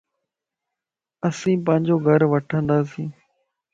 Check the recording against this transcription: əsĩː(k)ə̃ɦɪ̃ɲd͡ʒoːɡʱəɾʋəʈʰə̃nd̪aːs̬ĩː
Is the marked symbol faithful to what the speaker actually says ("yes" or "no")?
no